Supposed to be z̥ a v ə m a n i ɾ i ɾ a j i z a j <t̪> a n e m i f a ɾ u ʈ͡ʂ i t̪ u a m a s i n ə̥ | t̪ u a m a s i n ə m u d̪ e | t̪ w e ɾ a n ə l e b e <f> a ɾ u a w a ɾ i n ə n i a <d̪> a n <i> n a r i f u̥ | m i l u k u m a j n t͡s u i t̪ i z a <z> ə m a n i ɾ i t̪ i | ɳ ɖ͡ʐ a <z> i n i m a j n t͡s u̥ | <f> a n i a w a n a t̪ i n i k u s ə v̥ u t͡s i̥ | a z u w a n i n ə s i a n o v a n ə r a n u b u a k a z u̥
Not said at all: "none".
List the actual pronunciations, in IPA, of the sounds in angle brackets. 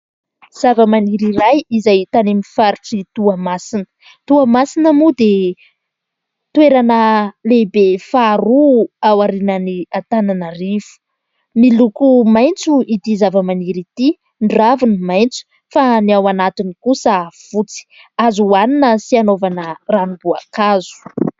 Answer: t̪, f, t̪, a, v, v, f

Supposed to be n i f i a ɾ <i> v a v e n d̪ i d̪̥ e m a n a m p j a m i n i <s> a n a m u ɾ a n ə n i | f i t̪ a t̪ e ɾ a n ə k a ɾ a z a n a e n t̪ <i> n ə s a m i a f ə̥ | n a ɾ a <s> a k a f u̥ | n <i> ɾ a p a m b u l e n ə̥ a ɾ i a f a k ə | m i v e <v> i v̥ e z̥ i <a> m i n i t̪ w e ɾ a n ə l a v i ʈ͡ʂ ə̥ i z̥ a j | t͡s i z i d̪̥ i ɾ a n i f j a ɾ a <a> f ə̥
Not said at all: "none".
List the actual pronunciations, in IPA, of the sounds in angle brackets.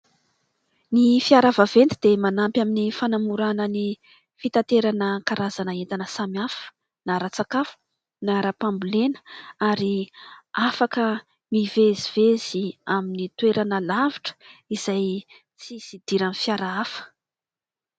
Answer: a, f, a, t͡s, a, z, a, a

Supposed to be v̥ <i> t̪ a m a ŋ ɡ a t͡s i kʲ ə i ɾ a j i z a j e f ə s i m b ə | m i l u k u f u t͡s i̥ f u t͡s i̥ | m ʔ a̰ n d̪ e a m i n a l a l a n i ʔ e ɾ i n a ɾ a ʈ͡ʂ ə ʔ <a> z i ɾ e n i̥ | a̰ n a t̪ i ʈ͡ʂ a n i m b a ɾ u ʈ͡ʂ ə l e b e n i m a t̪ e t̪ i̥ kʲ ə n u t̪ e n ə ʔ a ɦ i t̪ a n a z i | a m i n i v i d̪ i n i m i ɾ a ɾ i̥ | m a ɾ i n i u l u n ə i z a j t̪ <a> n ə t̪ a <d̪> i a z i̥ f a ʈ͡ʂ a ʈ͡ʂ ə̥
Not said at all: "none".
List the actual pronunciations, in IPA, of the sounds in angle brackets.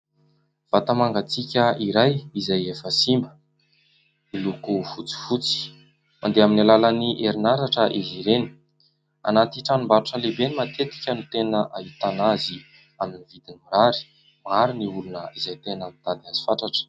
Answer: a, i, e, d̪

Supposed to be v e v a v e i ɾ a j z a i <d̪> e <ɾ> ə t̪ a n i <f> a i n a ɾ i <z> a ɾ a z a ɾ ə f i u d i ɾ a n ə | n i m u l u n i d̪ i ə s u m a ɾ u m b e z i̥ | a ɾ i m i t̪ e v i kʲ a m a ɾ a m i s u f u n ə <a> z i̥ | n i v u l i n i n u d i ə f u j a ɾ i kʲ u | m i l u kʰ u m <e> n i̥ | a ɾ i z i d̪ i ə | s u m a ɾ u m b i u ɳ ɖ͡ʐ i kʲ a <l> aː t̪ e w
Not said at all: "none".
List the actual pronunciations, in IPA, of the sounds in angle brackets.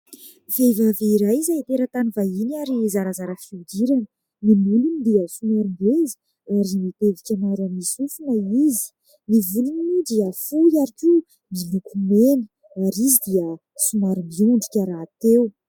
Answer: t̪, ɾ, v, z, i, e, ɾ

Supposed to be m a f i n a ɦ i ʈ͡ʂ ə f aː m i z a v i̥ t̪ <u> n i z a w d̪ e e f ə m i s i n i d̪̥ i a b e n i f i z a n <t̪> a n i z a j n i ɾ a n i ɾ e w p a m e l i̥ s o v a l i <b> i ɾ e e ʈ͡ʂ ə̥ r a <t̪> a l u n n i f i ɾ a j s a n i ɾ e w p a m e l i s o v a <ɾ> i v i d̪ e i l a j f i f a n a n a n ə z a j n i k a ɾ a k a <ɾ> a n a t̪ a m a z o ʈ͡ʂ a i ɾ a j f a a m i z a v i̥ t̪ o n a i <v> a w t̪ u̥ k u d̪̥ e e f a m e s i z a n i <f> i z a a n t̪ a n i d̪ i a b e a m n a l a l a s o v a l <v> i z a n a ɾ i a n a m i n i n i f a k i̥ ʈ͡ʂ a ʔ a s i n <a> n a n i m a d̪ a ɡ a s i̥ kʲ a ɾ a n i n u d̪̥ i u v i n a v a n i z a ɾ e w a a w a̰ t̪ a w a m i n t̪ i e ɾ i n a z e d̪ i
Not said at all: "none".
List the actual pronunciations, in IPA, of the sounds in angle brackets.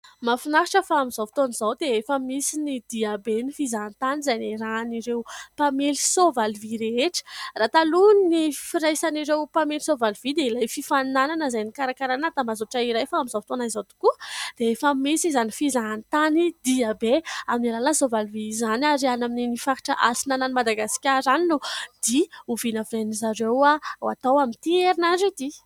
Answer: o, t̪, v, t̪, l, ɾ, z, f, v, a

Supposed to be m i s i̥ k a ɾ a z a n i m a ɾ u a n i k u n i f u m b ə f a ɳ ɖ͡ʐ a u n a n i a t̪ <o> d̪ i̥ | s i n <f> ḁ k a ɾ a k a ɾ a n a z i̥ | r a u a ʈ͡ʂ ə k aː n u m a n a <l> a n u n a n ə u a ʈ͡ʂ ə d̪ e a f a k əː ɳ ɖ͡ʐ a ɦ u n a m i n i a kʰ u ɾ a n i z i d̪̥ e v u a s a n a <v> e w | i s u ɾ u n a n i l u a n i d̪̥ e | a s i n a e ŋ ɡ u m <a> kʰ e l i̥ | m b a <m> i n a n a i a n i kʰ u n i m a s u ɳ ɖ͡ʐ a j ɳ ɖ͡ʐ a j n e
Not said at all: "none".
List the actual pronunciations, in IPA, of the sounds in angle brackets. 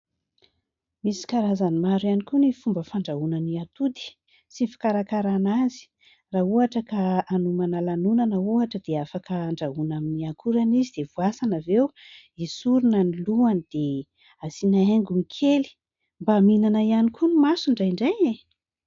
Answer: u, f, l, v, i, m

